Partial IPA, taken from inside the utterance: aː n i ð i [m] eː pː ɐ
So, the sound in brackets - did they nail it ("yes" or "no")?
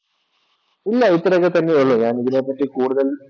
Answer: no